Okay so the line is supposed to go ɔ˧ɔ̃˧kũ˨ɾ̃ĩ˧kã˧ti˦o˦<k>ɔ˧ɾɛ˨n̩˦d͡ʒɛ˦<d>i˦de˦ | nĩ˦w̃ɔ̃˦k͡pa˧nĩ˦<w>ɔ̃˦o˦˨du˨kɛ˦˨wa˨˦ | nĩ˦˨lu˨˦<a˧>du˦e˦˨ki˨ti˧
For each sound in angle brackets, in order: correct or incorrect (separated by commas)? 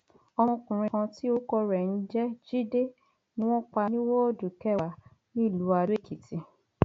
correct, incorrect, correct, correct